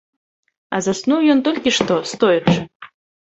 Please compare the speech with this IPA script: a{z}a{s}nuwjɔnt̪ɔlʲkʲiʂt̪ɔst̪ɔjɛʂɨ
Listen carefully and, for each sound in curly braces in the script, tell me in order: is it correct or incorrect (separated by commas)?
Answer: correct, correct